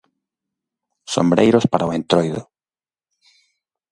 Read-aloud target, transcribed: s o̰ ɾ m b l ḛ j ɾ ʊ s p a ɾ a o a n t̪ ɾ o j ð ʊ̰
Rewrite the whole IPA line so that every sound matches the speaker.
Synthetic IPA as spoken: s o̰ m b ɾ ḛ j ɾ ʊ s p a ɾ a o e n t̪ ɾ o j ð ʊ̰